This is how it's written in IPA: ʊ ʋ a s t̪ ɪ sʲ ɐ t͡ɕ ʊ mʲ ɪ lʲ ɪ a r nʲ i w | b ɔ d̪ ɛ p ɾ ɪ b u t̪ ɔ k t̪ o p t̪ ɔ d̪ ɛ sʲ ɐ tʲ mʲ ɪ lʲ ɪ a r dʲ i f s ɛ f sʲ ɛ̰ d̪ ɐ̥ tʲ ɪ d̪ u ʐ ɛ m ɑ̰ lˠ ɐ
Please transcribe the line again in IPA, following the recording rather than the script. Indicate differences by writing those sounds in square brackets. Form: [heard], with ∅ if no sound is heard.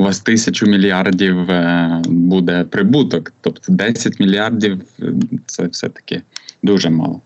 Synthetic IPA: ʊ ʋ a s t̪ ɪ sʲ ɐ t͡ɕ ʊ mʲ ɪ lʲ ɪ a r [dʲ] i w | b [u] d̪ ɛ p ɾ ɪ b u t̪ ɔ k t̪ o p t̪ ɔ d̪ ɛ sʲ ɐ tʲ mʲ ɪ lʲ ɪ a r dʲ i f s ɛ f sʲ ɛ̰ [t̪] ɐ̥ [kʲ] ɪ d̪ u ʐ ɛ m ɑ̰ lˠ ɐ